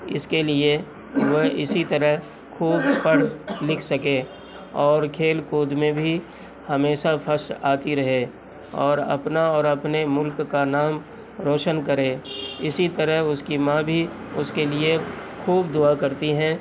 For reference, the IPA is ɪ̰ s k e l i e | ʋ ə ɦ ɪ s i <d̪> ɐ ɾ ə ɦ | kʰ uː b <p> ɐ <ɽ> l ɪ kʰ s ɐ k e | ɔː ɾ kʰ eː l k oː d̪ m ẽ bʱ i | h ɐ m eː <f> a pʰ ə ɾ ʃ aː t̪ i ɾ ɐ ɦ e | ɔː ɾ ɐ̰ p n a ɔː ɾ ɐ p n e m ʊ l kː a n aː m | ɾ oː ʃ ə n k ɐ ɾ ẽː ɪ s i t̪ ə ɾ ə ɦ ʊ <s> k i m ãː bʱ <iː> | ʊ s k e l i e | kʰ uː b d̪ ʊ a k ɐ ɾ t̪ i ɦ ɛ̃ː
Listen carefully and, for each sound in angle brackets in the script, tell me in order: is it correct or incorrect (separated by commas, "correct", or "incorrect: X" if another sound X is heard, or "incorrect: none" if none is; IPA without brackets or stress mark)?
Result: incorrect: t̪, correct, correct, incorrect: ʃ, correct, incorrect: i